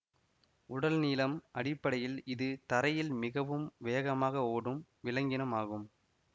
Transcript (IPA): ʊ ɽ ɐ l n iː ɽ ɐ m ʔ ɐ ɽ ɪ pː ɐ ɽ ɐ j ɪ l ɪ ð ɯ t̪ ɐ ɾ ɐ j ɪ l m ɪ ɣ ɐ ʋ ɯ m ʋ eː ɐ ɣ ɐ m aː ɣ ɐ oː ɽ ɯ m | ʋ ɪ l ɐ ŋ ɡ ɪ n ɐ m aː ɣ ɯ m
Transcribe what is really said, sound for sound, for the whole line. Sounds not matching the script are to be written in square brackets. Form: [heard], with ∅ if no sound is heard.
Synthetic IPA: ʊ ɽ ɐ l n iː [l] ɐ m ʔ ɐ ɽ ɪ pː ɐ ɽ ɐ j ɪ l ɪ ð ɯ t̪ ɐ ɾ ɐ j ɪ l m ɪ ɣ ɐ ʋ ɯ m ʋ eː ɐ ɣ ɐ m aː ɣ ɐ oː ɽ ɯ m | ʋ ɪ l ɐ ŋ ɡ ɪ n ɐ m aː ɣ ɯ m